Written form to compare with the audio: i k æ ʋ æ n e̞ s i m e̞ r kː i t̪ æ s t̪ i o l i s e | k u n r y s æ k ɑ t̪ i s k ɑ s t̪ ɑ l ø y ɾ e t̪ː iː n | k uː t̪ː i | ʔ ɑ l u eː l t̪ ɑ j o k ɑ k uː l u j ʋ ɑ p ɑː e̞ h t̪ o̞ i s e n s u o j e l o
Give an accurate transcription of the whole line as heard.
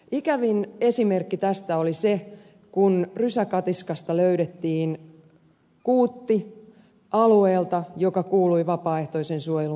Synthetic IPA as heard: i k æ ʋ i n e̞ s i m e̞ r kː i t̪ æ s t̪ æ o l i s e | k u n r y s æ k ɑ t̪ i s k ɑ s t̪ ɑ l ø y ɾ e t̪ː iː n | k uː t̪ː i | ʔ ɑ l u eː l t̪ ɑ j o k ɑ k uː l u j ʋ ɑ p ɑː e̞ h t̪ o̞ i s e n s u o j e l u